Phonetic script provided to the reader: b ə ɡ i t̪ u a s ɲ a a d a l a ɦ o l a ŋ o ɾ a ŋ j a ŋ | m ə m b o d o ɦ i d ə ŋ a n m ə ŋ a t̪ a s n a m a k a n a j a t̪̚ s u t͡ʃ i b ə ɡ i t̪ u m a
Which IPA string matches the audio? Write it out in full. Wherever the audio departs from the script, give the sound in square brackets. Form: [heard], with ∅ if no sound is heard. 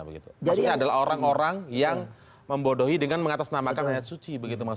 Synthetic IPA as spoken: b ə ɡ i t̪ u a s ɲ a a d a l a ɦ o [ɾ] a ŋ o ɾ a ŋ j a ŋ | m ə m b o d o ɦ i d ə ŋ a n m ə ŋ a t̪ a s n a m a k a n a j a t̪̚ s u t͡ʃ i b ə ɡ i t̪ u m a

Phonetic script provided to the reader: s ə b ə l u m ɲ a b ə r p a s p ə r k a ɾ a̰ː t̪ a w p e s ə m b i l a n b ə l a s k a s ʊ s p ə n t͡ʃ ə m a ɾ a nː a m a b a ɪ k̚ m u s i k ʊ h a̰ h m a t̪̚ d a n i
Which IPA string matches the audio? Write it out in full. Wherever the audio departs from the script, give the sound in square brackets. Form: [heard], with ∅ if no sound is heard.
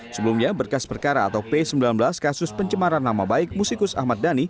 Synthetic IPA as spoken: s ə b ə l u m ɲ a b ə r [k] a s p ə r k a ɾ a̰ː t̪ a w p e s ə m b i l a n b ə l a s k a s ʊ s p ə [ɲ] t͡ʃ ə m a ɾ a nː a m a b a ɪ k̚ m u s i k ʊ [s] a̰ h m a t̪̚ d a n i

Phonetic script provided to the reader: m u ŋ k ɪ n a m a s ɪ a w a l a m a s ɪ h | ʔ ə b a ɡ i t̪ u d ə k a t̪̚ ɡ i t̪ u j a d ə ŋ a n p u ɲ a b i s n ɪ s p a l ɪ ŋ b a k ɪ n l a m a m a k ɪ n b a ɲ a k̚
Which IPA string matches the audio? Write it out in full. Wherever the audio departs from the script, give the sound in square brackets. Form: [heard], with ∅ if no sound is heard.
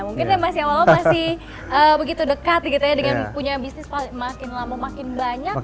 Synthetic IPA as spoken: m u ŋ k ɪ n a m a s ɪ a w a l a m a s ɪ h | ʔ ə b [ə] ɡ i t̪ u d ə k a t̪̚ ɡ i t̪ u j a d ə ŋ a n p u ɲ a b i s n ɪ s p a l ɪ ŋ [m] a k ɪ n l a m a m a k ɪ n b a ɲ a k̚

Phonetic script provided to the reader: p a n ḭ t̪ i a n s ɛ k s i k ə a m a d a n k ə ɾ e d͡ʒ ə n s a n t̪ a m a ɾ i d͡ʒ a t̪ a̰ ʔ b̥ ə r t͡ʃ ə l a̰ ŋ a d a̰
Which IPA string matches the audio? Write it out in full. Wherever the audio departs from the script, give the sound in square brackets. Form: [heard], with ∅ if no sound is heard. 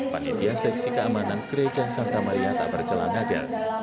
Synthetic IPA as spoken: p a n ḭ t̪ i a n s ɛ k s i k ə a m a [n] a n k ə ɾ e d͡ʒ [a] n s a n t̪ a m a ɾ i [∅] a t̪ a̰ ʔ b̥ ə r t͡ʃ ə l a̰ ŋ a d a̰

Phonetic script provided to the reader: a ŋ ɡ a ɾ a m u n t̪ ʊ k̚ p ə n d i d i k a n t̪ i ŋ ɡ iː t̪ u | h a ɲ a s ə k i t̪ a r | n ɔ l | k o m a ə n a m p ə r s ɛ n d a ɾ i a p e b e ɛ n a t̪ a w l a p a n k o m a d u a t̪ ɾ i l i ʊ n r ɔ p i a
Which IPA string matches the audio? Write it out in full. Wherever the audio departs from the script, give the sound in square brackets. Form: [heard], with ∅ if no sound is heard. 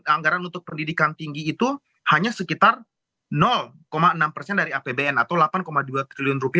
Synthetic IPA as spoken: a ŋ ɡ a ɾ a [n] u n t̪ ʊ k̚ p ə n d i d i k a n t̪ i ŋ ɡ iː t̪ u | h a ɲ a s ə k i t̪ a r | n ɔ l | k o m a ə n a m p ə r s ɛ n d a ɾ i a p e b e ɛ n a t̪ a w l a p a n k o m a d u a t̪ ɾ i l i ʊ n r [u] p i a

